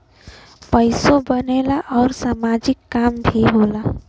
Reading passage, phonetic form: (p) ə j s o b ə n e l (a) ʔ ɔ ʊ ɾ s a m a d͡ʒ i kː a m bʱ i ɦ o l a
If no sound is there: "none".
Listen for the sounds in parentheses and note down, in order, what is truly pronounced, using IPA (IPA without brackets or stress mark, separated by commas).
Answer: p, a